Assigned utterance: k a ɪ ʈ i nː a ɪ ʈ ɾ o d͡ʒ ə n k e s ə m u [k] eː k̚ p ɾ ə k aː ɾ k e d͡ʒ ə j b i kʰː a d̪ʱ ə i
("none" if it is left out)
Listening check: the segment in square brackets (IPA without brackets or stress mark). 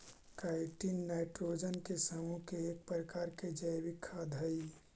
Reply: k